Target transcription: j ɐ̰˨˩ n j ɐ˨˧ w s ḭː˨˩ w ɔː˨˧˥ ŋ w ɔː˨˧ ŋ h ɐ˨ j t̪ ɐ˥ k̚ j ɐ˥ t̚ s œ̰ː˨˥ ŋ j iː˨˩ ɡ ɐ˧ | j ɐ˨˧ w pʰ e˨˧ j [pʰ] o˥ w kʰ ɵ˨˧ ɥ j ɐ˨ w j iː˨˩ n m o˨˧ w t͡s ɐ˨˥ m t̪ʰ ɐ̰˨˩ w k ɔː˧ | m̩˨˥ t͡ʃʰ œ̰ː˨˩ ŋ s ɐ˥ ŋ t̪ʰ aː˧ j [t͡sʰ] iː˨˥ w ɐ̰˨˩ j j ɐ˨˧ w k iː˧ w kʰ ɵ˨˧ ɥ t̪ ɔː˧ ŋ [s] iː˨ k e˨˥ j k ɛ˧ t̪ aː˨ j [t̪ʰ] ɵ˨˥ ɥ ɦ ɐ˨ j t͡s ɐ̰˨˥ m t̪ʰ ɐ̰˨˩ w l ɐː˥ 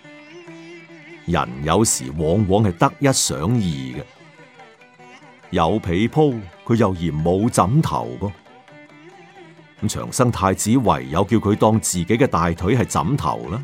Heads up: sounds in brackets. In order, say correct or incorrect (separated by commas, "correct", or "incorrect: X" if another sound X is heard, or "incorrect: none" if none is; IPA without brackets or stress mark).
correct, incorrect: t͡s, incorrect: t͡s, correct